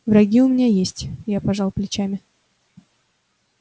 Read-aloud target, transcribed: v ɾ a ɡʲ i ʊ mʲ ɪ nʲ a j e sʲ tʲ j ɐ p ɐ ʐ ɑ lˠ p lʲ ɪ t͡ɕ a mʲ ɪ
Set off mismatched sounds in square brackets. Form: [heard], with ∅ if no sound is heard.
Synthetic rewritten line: v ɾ [ɐ] ɡʲ i ʊ mʲ ɪ nʲ a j e sʲ tʲ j [a] p ɐ ʐ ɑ lˠ p lʲ ɪ t͡ɕ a mʲ ɪ